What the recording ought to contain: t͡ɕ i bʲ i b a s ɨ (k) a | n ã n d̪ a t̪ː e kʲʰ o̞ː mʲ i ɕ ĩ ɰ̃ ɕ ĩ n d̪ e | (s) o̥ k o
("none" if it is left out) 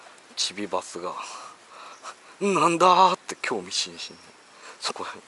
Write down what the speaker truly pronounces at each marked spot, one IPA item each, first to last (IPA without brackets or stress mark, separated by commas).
ɡ, s